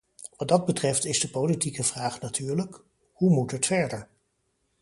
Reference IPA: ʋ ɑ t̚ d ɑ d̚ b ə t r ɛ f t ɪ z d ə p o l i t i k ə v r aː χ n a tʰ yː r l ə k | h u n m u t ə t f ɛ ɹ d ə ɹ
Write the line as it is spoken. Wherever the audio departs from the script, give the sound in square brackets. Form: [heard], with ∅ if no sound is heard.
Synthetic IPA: ʋ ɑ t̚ d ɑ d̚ b ə t r ɛ f t ɪ z d ə p o l i t i k ə v r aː χ n a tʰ yː [ɹ] l ə k | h u [∅] m u t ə t f ɛ ɹ d ə ɹ